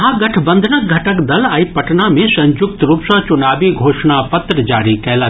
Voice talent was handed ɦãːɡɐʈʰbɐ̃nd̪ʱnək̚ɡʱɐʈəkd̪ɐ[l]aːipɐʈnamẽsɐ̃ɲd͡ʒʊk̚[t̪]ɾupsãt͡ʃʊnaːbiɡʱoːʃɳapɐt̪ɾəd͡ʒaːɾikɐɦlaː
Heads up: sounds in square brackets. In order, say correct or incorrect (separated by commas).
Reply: correct, correct